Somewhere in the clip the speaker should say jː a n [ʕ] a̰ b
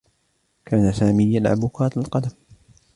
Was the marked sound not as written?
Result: no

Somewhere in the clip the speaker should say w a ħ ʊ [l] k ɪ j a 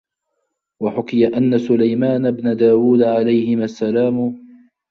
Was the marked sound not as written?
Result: yes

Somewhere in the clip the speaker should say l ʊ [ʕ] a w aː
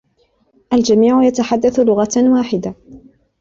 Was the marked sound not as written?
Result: yes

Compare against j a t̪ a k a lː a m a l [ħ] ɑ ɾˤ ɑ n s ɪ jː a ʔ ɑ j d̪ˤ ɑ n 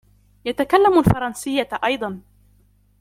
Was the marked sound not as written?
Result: yes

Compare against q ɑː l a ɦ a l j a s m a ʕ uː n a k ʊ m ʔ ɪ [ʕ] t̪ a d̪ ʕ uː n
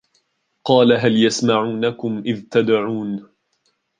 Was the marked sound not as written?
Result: yes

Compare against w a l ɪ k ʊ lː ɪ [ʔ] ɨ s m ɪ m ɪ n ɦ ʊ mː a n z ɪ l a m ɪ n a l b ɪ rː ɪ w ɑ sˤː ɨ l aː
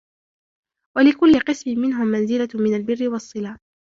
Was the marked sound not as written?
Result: yes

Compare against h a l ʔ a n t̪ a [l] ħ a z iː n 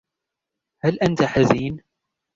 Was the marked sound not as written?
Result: yes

